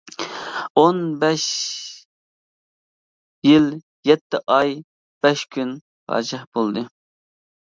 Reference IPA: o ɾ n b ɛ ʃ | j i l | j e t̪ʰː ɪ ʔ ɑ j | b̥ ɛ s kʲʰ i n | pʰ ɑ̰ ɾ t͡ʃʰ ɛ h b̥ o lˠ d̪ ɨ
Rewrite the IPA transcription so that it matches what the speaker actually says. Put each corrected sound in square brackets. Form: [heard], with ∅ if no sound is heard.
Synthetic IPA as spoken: o [∅] n b ɛ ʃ | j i l | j [ɛ] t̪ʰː ɪ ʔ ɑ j | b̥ ɛ [ʃ] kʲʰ [y] n | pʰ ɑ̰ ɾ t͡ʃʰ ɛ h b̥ o lˠ d̪ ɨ